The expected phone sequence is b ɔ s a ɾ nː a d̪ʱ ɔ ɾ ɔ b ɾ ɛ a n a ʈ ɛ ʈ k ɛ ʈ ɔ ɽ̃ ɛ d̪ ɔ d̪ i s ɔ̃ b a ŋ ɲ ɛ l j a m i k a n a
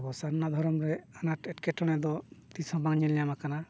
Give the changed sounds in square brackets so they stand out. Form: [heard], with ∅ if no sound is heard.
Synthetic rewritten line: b ɔ s a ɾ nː a d̪ʱ ɔ ɾ ɔ [m] ɾ ɛ a n a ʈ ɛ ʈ k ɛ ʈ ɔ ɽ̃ ɛ d̪ ɔ [t̪] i s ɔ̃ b a ŋ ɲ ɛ l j a m [a] k a n a